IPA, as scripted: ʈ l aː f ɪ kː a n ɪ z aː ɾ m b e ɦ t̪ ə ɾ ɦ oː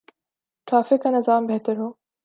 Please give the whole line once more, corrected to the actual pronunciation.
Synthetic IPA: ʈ ɾ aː f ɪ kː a n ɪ z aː m b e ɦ t̪ ə ɾ ɦ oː